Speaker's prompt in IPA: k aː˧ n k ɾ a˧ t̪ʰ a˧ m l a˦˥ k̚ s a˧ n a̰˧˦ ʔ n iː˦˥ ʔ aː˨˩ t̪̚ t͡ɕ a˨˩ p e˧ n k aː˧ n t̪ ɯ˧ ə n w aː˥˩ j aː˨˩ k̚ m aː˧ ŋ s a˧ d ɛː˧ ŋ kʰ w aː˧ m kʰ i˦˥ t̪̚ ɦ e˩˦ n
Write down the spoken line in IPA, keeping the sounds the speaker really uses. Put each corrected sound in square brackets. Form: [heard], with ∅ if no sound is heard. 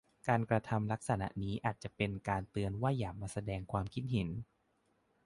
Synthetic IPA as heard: k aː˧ n k ɾ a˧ t̪ʰ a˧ m l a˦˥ k̚ s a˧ n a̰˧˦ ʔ n iː˦˥ ʔ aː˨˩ t̪̚ t͡ɕ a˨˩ p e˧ n k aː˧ n t̪ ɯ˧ ə n w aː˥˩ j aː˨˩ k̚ m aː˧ [∅] s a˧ d ɛː˧ ŋ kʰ w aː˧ m kʰ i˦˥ t̪̚ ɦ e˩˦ n